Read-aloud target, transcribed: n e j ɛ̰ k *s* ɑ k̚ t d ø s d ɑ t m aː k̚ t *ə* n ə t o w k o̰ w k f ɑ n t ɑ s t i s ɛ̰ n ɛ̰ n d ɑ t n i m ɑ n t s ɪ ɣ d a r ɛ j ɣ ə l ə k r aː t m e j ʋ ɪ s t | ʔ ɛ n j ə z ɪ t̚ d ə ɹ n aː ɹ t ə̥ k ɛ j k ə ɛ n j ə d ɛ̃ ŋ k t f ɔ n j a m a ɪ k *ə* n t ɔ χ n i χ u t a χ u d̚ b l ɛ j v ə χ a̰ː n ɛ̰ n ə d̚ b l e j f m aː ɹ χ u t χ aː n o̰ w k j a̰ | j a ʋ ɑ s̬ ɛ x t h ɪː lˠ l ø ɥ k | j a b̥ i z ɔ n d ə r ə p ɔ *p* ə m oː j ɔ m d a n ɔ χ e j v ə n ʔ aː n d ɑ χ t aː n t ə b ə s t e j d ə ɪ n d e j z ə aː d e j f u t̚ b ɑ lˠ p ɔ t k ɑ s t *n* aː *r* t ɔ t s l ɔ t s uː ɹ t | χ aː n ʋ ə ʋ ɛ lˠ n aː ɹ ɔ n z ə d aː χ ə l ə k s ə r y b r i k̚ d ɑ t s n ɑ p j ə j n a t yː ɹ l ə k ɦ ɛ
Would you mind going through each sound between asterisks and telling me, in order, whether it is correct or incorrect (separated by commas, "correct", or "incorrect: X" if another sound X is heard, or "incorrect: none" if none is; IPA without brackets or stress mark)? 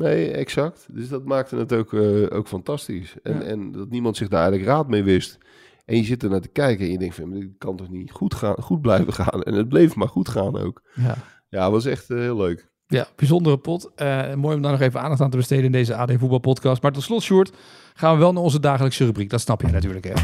correct, correct, incorrect: ɑ, incorrect: t, incorrect: m, incorrect: ɹ